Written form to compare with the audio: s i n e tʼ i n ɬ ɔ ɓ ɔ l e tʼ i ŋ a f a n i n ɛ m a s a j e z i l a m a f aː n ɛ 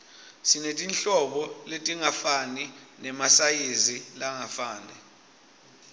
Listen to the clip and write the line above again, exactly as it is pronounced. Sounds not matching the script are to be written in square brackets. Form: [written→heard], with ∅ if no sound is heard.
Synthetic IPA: s i n e tʼ i n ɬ ɔ ɓ ɔ l e tʼ i ŋ a f a n i n ɛ m a s a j e z i l a [m→ŋ] a f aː n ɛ